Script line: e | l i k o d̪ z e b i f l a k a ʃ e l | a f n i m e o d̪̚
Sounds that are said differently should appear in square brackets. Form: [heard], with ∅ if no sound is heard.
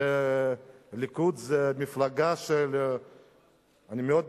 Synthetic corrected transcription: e | l i k [u] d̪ z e [m] i f l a [ɡ] a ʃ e l | a [∅] n i m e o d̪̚